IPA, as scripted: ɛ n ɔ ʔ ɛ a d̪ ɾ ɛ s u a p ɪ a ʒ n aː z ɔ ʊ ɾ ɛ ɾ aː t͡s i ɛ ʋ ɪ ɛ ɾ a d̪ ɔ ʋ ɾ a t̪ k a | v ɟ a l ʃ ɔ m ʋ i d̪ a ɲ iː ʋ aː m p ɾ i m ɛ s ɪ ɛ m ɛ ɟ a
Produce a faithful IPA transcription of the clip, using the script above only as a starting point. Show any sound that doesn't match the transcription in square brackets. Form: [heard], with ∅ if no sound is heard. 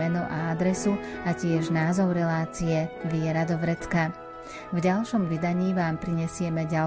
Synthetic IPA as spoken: ɛ n ɔ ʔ [a] a d̪ ɾ ɛ s u a [c] ɪ [ɛ] ʒ n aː z ɔ ʊ ɾ ɛ [l] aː t͡s i ɛ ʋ ɪ ɛ ɾ a d̪ ɔ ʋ ɾ [ɛ] t̪ k a | v ɟ a l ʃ ɔ m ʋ i d̪ a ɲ iː ʋ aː m p ɾ i [ɲ] ɛ s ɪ ɛ m ɛ ɟ a